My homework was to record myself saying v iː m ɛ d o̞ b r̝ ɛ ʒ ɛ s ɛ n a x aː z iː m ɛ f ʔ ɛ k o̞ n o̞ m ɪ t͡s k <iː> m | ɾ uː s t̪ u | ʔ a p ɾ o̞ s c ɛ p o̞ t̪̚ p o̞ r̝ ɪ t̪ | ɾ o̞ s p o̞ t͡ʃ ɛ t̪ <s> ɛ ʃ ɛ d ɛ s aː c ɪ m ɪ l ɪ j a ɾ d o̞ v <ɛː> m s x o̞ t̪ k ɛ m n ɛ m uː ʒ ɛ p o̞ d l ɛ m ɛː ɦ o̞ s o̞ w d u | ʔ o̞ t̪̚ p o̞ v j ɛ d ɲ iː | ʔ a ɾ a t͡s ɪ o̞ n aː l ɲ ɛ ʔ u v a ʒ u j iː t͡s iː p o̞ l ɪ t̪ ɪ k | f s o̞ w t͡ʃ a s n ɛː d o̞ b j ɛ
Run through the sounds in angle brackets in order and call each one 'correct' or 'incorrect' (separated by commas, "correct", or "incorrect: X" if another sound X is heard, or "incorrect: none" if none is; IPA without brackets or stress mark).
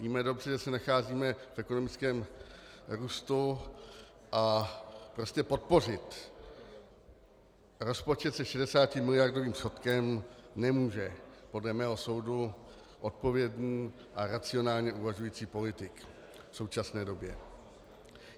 incorrect: ɛː, correct, incorrect: iː